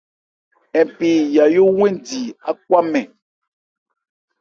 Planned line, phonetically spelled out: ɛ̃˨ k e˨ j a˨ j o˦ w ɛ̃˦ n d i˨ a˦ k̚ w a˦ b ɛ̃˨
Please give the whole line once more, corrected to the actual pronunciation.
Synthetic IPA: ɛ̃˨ p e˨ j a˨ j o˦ w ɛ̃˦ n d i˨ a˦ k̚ w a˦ m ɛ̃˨